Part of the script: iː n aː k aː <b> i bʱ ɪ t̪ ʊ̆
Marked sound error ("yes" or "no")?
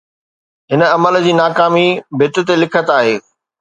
yes